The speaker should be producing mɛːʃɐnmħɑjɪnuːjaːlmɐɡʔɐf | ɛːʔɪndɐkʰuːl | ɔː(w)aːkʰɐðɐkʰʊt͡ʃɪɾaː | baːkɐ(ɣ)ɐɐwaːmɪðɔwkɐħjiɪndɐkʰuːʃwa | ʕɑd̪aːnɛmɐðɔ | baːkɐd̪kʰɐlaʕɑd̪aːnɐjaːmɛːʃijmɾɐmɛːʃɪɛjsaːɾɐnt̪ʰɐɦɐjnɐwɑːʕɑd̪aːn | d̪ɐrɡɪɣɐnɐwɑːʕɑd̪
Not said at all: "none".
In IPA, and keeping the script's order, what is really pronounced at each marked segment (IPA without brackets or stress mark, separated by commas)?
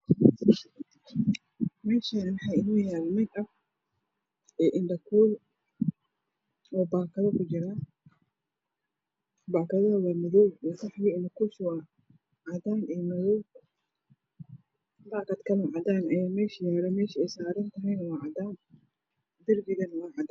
b, ð